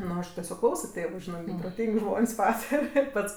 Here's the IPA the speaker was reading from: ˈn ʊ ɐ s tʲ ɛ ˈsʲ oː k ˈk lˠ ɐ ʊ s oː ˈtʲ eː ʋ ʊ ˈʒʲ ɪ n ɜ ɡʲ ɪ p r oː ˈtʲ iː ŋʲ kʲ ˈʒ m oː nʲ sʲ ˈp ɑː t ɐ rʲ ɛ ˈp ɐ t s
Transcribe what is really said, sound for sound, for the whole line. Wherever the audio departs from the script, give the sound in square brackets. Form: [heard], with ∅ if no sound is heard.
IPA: ˈn ʊ ɐ [ʃ] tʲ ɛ ˈsʲ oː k ˈk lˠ ɐ ʊ s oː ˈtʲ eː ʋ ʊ ˈʒʲ ɪ n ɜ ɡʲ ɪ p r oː ˈtʲ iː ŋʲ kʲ ˈʒ m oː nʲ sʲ ˈp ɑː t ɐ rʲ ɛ ˈp ɐ t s